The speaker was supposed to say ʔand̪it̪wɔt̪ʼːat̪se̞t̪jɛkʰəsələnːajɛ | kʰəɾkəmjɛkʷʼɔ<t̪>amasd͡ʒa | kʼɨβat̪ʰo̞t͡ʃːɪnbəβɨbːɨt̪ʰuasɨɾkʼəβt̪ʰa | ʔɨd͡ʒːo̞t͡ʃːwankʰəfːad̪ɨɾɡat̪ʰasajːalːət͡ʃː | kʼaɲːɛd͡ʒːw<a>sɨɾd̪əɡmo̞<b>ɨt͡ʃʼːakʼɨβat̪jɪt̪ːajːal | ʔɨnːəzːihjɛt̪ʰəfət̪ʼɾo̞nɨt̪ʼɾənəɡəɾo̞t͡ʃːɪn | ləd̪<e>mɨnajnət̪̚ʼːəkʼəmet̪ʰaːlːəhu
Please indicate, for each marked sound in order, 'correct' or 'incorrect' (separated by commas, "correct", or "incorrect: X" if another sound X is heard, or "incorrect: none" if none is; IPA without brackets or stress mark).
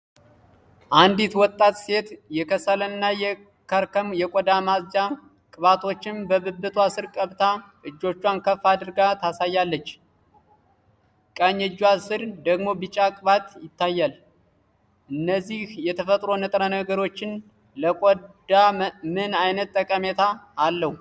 incorrect: d̪, correct, correct, incorrect: a